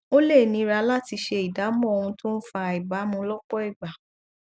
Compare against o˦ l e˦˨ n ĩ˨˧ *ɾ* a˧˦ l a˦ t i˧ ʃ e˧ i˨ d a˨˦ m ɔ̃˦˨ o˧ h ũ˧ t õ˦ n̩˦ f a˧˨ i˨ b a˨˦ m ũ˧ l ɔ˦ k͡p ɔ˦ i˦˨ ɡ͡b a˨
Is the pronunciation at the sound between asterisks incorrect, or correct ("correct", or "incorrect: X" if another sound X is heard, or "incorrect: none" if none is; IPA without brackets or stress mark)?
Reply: correct